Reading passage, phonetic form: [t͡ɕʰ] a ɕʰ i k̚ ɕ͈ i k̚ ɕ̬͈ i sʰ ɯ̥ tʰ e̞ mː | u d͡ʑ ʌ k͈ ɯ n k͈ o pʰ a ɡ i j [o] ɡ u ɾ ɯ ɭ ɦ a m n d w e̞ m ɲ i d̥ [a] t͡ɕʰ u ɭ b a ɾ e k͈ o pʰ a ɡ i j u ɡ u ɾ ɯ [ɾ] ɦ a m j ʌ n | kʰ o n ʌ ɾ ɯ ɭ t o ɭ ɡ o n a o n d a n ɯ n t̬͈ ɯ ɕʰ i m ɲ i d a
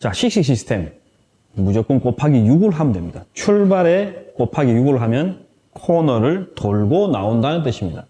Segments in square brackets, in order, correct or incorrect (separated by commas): incorrect, incorrect, correct, incorrect